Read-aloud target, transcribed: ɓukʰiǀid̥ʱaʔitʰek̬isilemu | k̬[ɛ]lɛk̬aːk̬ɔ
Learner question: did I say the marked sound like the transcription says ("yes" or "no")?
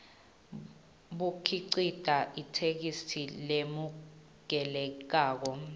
yes